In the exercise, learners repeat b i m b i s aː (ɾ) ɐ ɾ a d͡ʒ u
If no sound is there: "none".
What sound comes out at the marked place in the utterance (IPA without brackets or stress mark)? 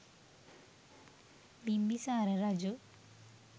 ɾ